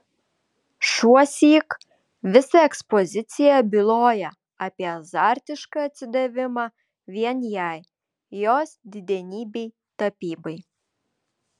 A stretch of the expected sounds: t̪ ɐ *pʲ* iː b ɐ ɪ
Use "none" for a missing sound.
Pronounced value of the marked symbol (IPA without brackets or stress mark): pʲ